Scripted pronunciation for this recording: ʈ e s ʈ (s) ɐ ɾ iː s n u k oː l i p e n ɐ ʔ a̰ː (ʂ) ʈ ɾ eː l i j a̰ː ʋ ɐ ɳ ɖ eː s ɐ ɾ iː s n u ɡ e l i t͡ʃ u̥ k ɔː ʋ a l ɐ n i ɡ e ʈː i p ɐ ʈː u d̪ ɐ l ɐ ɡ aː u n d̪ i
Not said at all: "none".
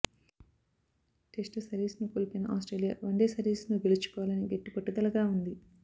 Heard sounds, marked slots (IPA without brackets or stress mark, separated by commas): s, s